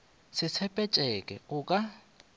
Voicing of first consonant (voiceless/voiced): voiceless